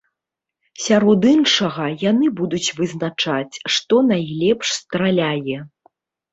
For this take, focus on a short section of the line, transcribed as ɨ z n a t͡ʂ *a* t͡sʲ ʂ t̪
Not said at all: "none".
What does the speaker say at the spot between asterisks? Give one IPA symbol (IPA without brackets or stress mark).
a